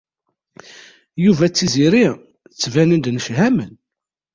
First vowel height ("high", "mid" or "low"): high